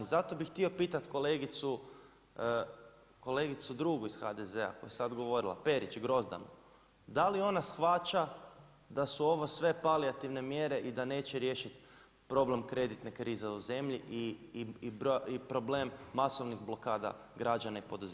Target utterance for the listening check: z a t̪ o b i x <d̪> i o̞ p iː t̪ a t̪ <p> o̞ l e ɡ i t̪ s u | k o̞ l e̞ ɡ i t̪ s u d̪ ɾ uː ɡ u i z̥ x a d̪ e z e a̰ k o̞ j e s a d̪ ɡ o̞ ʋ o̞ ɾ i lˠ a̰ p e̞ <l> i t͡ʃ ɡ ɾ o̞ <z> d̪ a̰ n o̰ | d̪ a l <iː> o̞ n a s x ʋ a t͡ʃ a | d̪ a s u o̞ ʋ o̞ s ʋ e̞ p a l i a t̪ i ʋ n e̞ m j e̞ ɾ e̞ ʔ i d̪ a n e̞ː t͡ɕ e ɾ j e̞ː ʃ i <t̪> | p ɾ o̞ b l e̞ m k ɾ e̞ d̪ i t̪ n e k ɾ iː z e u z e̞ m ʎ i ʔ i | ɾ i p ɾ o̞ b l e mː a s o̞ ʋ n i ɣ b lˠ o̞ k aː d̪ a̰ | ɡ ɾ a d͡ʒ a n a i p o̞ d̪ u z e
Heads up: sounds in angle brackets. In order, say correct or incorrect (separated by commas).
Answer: incorrect, incorrect, incorrect, correct, incorrect, correct